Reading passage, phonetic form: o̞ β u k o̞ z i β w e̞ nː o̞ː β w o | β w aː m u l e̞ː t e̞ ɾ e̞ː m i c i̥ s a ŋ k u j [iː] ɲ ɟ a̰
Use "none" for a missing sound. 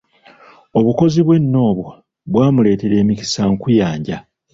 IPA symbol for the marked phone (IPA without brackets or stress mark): aː